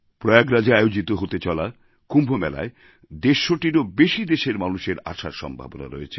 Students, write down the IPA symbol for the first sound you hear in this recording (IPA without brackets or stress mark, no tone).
p